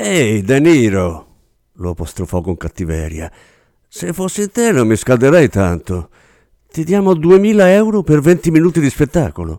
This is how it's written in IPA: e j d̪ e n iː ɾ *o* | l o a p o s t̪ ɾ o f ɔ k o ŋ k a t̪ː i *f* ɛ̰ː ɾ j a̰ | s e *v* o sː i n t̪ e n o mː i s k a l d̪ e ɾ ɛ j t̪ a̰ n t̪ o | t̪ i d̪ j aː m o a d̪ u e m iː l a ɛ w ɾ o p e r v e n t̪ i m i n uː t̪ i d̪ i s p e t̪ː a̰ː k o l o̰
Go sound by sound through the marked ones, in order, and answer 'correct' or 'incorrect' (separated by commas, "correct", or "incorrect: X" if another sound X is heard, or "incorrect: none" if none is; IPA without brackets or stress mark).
correct, incorrect: v, incorrect: f